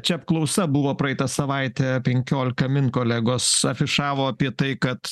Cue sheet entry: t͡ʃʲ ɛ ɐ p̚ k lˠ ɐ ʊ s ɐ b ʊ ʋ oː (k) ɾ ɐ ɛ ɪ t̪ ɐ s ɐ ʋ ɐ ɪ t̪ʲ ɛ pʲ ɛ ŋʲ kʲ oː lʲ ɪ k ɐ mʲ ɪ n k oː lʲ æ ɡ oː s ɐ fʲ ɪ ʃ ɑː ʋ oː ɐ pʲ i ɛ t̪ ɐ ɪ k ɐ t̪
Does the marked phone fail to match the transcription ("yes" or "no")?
yes